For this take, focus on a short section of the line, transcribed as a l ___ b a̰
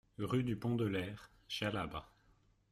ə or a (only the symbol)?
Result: a